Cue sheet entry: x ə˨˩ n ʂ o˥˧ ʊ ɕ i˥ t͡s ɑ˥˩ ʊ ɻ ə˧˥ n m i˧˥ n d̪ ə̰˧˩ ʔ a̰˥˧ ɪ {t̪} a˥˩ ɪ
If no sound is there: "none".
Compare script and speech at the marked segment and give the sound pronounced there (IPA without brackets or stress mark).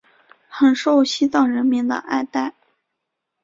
t̪